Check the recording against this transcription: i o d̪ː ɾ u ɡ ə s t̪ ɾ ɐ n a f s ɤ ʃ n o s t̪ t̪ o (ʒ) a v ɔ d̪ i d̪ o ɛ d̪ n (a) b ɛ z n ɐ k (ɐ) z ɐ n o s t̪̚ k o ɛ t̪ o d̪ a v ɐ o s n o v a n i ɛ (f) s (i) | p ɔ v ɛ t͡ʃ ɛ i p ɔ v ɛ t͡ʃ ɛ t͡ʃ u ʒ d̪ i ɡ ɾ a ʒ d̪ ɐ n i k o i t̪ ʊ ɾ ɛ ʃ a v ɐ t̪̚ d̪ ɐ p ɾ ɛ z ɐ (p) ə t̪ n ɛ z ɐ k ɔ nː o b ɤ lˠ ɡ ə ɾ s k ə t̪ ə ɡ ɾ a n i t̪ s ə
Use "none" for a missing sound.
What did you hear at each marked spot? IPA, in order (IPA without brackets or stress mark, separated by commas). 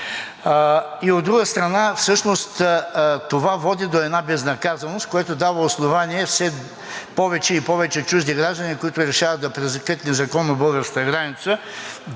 v, a, a, f, ɛ, k